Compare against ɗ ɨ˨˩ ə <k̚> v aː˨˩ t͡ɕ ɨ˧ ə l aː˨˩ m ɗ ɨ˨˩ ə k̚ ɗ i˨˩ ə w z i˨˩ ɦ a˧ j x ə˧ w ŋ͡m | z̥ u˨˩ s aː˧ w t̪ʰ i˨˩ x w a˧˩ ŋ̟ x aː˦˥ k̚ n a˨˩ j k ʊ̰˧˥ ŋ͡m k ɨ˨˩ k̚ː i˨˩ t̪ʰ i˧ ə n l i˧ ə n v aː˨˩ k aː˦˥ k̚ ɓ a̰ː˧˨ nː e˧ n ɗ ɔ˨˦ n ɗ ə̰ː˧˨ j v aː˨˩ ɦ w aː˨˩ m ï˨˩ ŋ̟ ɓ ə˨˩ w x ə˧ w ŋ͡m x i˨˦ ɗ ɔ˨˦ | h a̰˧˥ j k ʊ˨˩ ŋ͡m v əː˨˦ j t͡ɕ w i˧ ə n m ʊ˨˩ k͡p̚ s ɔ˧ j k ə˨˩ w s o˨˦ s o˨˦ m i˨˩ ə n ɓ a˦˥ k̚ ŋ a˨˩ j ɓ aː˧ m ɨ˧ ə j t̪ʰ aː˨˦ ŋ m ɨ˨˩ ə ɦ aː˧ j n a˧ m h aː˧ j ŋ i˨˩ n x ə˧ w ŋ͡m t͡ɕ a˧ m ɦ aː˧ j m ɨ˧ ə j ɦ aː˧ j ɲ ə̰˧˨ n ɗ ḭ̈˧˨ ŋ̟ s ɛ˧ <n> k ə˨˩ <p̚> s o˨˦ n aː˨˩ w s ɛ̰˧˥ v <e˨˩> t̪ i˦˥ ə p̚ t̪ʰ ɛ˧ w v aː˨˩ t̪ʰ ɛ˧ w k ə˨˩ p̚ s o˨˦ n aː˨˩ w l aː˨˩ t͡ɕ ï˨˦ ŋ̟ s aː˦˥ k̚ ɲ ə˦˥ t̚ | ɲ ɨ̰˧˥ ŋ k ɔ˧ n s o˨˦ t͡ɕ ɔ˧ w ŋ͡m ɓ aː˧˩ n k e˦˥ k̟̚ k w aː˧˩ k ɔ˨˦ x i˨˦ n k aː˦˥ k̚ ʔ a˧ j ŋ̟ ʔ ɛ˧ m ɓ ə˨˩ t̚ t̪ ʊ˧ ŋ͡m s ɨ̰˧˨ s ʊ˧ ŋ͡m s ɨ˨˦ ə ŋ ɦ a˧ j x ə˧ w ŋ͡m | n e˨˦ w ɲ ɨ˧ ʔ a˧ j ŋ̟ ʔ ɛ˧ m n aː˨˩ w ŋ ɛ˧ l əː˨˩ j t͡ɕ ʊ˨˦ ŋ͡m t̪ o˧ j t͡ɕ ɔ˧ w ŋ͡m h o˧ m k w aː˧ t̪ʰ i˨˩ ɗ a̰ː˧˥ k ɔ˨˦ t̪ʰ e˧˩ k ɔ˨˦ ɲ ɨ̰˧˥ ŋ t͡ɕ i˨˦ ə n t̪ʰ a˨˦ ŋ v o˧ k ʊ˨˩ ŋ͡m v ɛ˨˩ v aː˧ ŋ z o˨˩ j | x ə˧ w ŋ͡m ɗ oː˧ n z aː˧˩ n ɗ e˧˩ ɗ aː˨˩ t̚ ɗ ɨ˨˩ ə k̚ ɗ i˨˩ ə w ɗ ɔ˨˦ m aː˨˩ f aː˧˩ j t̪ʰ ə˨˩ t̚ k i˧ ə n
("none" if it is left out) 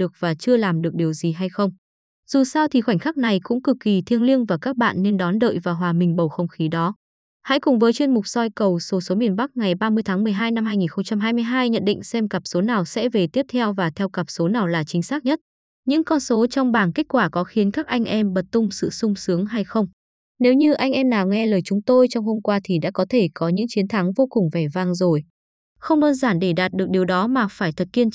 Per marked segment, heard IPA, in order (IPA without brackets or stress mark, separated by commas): k̚, m, p̚, e˨˩